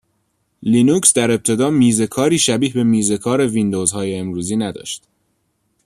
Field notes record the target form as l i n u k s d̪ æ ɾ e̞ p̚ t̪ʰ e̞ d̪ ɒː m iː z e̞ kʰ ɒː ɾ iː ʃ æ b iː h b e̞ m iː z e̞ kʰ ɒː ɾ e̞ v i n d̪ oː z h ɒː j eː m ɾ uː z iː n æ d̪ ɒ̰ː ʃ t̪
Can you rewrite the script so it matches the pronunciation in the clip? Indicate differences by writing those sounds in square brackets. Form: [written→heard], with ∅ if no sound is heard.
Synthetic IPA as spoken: l i n u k s d̪ æ ɾ e̞ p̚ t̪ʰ e̞ d̪ ɒː m iː z e̞ kʰ ɒː ɾ iː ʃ æ b iː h b e̞ m iː z e̞ kʰ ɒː ɾ e̞ v i n d̪ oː z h ɒː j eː m ɾ uː z iː n æ d̪ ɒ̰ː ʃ t̪